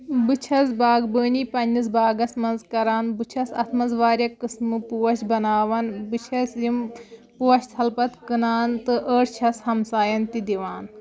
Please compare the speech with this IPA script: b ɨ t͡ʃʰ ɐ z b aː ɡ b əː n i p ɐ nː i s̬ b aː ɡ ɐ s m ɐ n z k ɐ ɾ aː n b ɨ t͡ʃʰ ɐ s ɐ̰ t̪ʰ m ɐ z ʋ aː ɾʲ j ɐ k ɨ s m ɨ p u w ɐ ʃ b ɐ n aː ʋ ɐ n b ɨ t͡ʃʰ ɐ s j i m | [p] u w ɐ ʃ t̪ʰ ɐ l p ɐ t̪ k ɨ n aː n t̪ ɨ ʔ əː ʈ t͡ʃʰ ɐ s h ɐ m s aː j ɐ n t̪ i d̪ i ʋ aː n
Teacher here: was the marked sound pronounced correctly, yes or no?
yes